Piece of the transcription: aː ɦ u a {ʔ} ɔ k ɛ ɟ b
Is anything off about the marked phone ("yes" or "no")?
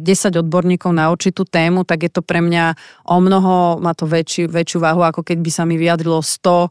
yes